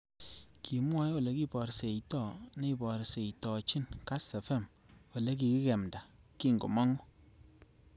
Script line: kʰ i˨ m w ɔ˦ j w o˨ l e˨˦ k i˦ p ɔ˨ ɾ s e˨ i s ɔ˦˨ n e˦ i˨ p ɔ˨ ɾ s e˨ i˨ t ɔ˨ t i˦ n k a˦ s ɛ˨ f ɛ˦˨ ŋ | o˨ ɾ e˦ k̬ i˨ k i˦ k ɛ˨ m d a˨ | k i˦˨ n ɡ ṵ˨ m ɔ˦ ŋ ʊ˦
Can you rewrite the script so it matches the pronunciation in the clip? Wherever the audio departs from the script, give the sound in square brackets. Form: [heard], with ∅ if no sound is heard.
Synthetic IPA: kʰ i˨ m w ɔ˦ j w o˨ l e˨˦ k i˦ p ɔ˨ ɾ s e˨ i [t] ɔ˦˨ n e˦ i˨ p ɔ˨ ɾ s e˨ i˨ t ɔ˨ [t͡ʃ] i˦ n k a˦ s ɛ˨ f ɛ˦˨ [m] | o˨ [l] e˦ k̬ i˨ k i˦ k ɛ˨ m d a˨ | k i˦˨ [ŋ] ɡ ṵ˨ m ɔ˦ ŋ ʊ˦